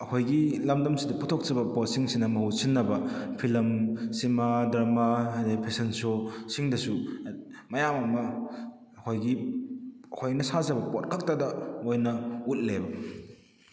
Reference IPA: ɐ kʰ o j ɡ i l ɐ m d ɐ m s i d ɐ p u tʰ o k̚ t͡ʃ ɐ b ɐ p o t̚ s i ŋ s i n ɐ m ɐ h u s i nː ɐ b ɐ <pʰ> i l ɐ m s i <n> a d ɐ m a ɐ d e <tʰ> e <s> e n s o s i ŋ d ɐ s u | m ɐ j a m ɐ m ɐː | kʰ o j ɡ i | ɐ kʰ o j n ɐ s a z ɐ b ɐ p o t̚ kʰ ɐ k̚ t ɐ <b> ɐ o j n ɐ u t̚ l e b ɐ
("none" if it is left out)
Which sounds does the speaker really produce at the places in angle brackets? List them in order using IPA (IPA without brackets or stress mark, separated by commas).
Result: pʰ, m, pʰ, s, d